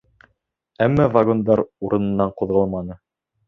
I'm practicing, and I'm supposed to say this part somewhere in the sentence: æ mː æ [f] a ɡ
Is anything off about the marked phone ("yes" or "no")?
yes